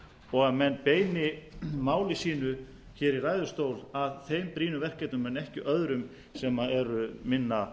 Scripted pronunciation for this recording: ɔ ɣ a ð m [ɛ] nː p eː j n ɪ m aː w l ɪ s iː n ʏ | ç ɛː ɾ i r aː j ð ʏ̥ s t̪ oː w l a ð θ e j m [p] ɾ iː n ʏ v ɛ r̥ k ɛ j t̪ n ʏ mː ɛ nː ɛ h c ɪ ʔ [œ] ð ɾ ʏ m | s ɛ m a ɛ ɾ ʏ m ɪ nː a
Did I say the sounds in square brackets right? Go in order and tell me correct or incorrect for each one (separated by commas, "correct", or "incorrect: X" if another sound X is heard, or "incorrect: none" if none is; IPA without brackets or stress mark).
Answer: correct, correct, correct